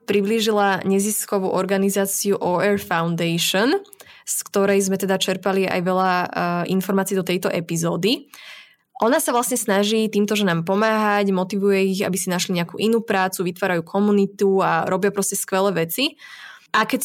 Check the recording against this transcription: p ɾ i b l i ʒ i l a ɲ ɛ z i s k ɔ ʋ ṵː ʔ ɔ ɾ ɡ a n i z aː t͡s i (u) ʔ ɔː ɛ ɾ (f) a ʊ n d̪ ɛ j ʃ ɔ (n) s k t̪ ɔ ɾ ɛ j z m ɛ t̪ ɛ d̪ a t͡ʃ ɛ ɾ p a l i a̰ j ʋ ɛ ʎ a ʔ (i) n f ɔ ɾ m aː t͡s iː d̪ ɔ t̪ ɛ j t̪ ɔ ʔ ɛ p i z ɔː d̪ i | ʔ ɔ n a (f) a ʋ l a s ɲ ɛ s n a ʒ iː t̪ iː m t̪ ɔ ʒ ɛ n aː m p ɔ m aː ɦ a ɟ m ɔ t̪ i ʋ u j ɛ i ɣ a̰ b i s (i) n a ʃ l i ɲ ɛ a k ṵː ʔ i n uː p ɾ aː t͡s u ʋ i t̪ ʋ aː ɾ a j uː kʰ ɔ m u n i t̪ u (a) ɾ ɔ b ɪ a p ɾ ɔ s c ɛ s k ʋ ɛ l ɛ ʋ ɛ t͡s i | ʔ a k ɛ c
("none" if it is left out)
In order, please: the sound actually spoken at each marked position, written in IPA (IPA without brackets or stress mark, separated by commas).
u, f, n, i, s, i, a